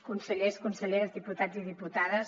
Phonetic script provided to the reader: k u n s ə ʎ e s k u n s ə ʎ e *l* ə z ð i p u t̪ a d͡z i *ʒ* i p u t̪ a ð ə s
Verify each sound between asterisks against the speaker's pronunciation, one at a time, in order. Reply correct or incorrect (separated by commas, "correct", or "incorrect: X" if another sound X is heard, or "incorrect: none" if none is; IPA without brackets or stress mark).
incorrect: ɾ, incorrect: ð